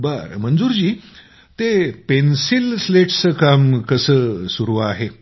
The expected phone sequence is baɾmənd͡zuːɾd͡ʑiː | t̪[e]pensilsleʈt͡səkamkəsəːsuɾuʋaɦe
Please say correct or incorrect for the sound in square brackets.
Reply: correct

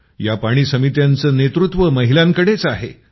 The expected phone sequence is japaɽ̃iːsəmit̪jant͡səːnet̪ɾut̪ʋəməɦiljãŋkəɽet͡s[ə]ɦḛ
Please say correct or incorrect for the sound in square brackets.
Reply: incorrect: a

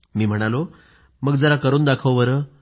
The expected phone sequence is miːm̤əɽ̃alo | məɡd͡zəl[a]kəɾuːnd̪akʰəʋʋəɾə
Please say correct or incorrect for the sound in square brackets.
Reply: correct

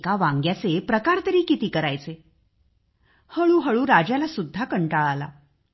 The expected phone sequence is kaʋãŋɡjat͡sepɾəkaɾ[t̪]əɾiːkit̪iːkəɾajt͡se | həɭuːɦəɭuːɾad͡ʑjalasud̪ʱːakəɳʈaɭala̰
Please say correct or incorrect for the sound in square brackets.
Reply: correct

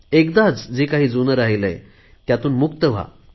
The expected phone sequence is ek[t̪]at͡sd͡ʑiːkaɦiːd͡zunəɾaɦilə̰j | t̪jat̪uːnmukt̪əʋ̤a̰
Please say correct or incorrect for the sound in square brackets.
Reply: incorrect: d̪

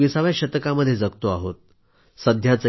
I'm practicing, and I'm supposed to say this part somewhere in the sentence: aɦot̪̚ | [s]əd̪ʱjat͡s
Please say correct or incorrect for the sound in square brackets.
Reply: correct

